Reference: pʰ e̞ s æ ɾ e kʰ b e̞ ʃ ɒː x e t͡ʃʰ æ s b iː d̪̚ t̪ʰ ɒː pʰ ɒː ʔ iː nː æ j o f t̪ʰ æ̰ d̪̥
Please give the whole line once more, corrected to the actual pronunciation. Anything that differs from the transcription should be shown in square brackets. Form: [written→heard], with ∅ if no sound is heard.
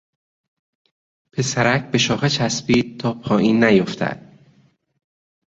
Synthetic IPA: pʰ e̞ s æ ɾ [e→æ] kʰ b e̞ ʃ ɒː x e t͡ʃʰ æ s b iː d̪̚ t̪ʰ ɒː pʰ ɒː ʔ iː nː æ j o f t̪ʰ æ̰ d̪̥